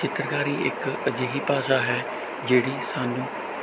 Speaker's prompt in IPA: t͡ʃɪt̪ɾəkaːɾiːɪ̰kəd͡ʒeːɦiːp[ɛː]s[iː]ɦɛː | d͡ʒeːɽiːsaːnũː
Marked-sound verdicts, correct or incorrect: incorrect: aː, incorrect: aː

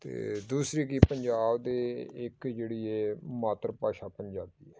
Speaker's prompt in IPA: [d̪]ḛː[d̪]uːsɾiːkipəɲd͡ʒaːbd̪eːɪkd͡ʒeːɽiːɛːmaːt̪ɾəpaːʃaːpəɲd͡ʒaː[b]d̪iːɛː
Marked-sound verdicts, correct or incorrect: incorrect: t̪, correct, correct

